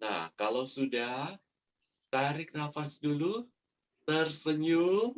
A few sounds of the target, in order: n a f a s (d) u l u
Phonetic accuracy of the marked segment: correct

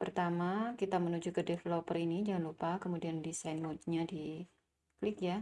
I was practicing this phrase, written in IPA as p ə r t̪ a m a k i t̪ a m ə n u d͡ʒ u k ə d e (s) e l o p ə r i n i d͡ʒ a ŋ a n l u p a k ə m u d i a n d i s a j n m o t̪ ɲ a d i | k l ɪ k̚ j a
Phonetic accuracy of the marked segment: incorrect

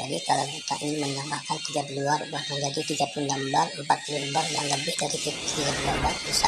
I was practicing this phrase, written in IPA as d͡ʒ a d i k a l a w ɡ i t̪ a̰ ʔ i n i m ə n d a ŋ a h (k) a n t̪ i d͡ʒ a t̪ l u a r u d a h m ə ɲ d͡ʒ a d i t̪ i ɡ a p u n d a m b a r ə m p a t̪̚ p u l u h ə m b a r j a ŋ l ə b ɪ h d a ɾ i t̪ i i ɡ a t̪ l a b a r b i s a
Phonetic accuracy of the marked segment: correct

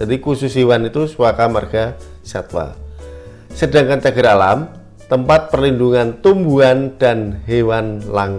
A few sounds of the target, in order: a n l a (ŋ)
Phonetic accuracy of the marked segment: correct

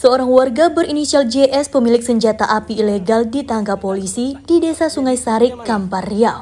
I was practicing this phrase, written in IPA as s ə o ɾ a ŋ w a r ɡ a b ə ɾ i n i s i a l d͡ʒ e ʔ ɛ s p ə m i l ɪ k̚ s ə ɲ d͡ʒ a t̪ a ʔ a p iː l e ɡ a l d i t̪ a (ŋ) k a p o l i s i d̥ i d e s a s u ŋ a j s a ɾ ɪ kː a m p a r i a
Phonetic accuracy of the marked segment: correct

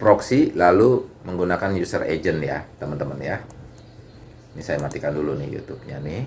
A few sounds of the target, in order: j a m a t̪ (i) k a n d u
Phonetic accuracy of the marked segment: correct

